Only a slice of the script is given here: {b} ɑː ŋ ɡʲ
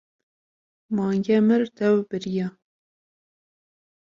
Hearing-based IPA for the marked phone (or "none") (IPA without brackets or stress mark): m